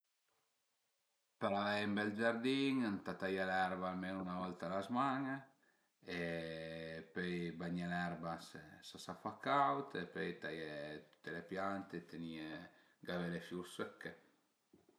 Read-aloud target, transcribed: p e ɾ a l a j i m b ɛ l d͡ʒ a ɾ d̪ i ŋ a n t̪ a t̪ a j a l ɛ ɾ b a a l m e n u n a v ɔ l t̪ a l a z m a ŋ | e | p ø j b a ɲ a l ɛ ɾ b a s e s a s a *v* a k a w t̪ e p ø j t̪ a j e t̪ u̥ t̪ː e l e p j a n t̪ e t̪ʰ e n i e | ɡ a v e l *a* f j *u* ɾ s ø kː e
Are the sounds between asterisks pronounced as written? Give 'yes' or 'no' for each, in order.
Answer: no, no, yes

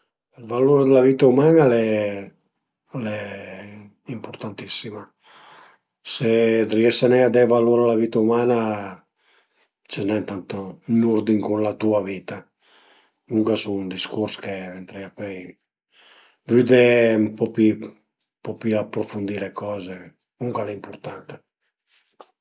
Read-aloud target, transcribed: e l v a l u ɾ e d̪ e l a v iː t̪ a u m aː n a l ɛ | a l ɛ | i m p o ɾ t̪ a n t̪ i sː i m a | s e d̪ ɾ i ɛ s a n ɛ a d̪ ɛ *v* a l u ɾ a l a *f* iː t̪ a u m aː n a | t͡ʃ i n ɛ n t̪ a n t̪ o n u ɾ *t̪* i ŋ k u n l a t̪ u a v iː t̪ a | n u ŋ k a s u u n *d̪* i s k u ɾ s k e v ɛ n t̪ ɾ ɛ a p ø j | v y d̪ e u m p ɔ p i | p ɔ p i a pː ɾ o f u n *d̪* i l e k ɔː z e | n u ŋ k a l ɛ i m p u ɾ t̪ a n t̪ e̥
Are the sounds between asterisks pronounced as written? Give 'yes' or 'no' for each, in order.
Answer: yes, no, no, yes, yes

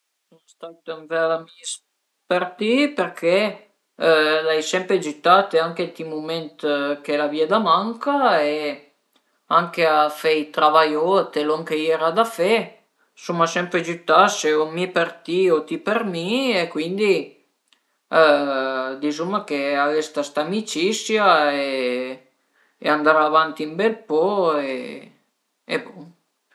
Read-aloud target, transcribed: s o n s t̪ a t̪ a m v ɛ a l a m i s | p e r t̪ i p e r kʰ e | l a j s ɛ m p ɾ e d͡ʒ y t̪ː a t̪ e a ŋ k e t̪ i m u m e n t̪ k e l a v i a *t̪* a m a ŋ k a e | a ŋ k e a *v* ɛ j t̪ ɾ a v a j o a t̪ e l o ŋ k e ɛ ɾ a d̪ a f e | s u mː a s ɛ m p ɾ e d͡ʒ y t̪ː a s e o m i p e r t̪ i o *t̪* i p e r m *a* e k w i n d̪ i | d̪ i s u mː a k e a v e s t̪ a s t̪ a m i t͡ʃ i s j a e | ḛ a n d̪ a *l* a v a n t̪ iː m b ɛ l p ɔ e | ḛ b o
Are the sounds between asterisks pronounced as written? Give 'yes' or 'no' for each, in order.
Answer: no, no, yes, no, no

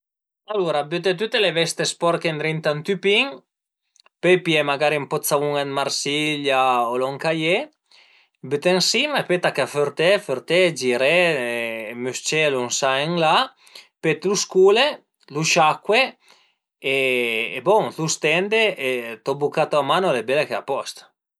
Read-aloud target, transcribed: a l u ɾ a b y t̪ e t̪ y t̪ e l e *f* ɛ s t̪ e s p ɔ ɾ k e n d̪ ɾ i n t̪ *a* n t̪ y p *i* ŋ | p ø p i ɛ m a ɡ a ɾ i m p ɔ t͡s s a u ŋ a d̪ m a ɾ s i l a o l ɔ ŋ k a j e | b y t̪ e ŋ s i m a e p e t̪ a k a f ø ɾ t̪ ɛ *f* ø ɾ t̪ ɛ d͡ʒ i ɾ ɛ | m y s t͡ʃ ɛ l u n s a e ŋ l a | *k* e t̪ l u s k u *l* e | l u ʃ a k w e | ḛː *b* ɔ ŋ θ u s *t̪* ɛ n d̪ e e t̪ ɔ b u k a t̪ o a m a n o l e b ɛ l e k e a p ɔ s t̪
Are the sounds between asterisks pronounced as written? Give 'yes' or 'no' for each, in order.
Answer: no, yes, yes, yes, no, yes, yes, yes

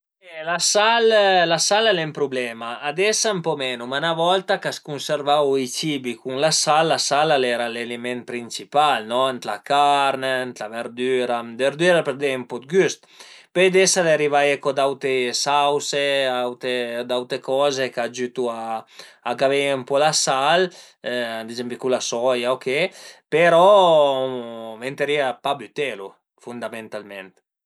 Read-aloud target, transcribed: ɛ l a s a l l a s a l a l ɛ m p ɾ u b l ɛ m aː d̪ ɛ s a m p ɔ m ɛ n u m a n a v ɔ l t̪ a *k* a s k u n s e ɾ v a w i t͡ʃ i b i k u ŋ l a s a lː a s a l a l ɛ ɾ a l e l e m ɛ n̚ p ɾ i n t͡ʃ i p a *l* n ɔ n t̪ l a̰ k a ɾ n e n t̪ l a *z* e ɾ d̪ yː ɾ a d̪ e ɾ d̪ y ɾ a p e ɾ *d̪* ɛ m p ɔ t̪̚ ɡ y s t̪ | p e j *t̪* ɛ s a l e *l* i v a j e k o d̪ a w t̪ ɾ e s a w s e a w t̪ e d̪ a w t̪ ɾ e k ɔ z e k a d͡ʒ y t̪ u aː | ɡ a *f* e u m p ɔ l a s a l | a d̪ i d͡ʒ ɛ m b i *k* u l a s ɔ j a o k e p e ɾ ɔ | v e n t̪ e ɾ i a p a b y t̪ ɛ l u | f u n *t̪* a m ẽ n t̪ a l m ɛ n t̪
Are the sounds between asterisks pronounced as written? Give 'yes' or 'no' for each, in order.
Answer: yes, yes, no, yes, no, no, no, yes, no

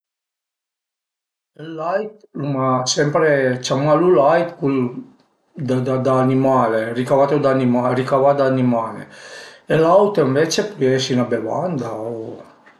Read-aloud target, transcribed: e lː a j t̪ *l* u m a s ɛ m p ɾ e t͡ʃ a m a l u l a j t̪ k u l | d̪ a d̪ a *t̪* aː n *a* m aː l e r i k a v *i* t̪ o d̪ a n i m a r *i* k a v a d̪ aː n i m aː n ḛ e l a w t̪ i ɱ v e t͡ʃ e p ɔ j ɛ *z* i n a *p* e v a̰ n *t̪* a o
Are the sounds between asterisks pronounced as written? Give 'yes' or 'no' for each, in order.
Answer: yes, no, no, no, yes, no, no, no

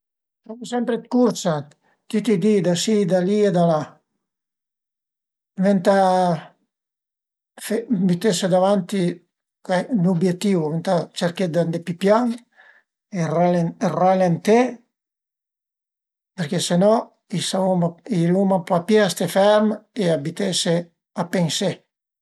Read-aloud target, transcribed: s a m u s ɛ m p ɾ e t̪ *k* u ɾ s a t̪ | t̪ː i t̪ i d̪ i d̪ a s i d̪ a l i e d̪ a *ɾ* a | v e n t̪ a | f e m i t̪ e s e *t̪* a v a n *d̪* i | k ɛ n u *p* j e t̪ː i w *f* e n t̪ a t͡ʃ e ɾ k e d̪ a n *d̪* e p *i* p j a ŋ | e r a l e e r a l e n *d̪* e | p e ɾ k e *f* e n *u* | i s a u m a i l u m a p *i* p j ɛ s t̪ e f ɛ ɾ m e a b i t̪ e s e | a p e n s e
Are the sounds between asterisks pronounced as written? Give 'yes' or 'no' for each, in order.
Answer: yes, no, no, no, no, no, yes, yes, no, no, no, no

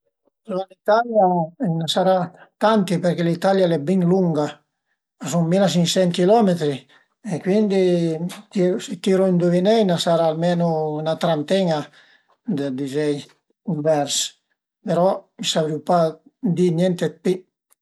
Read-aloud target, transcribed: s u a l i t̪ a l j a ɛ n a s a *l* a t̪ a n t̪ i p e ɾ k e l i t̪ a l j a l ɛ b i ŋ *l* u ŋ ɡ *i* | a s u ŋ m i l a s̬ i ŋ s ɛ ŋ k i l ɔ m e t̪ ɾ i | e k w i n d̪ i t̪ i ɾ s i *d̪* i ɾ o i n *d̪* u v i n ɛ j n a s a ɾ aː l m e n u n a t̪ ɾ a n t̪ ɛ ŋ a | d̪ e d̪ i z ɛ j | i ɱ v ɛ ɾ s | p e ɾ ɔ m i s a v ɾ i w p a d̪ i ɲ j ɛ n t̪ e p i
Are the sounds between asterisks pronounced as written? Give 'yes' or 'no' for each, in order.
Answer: no, yes, no, no, yes

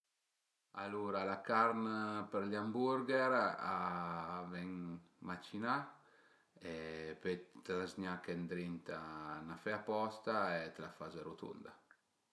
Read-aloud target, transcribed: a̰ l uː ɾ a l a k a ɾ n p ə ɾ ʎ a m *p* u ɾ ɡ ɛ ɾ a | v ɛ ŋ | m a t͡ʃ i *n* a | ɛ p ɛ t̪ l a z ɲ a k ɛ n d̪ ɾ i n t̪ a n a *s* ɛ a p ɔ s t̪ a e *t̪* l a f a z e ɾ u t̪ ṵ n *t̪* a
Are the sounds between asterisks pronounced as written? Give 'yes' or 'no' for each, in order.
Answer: no, yes, no, yes, no

